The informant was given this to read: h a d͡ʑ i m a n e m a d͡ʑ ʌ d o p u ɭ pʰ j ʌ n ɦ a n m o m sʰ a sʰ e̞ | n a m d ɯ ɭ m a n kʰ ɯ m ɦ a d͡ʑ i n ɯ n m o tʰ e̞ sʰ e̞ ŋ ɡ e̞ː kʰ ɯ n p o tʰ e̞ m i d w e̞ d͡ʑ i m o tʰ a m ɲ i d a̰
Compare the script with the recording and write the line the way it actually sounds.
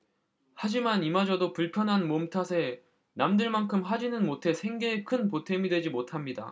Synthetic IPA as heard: h a d͡ʑ i m a n i m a d͡ʑ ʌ d o p u ɭ pʰ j ʌ n ɦ a n m o m tʰ a sʰ e̞ | n a m d ɯ ɭ m a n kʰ ɯ m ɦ a d͡ʑ i n ɯ n m o tʰ e̞ sʰ e̞ ŋ ɡ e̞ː kʰ ɯ n p o tʰ e̞ m i d w e̞ d͡ʑ i m o tʰ a m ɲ i d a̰